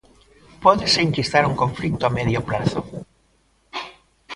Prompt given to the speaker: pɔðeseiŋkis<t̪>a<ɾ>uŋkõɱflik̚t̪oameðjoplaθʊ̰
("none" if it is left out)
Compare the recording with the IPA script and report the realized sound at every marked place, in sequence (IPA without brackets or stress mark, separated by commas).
t̪, ɾ